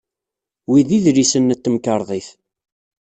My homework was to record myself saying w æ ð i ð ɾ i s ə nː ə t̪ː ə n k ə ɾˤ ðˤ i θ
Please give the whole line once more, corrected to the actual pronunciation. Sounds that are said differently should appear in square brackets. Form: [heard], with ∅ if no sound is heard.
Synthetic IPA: w [i] ð i ð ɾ i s ə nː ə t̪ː ə [m] k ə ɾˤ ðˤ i θ

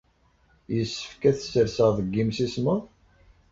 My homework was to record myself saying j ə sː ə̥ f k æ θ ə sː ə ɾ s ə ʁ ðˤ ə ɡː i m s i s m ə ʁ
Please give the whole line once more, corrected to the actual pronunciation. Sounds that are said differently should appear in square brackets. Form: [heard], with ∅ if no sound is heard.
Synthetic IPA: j ə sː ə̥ f k æ θ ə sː ə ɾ s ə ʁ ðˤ ə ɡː i m s i s m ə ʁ

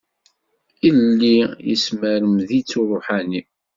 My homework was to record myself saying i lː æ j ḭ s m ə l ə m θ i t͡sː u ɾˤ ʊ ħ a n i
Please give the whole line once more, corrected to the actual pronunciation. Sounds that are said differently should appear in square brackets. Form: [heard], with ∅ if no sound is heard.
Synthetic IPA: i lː [i] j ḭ s m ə [ɾ] ə m [ð] i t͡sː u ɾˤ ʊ ħ a n i

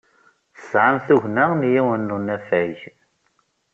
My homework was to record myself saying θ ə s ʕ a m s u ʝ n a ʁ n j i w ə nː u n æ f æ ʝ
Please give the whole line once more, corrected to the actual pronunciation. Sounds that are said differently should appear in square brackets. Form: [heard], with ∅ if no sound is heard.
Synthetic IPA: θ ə s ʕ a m [θ] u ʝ n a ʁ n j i w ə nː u n æ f æ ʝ

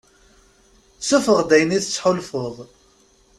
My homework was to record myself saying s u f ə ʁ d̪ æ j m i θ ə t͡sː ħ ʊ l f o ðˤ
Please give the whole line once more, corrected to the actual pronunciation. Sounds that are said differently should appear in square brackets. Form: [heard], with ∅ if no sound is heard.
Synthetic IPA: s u f ə ʁ d̪ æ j [n] i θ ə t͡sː ħ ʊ l f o ðˤ

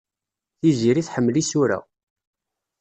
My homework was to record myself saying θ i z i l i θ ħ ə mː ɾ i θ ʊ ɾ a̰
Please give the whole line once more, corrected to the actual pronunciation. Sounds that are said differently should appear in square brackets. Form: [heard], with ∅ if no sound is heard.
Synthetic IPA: θ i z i [ɾ] i θ ħ ə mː [l] i [s] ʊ ɾ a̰

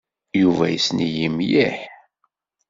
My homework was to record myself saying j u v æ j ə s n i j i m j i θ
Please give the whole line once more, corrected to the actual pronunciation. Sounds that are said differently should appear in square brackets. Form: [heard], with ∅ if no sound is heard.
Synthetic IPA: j u v æ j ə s n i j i m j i [ħ]

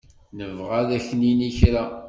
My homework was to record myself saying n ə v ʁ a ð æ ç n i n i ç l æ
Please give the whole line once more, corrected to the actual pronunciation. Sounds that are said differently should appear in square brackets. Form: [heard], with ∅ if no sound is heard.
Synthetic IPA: n ə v ʁ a ð æ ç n i n i ç [ɾ] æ

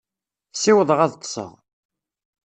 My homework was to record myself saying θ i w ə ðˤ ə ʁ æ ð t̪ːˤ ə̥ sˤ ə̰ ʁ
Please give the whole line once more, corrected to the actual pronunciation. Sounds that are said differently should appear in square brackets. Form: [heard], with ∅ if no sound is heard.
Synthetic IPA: [s] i w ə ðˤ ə ʁ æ ð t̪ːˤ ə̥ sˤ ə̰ ʁ

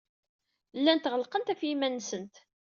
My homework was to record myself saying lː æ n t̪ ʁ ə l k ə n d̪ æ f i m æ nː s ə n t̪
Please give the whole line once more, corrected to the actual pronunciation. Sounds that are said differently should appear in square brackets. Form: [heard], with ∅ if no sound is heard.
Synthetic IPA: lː æ n t̪ ʁ ə l [q] ə n [t̪] æ f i m æ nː s ə n t̪

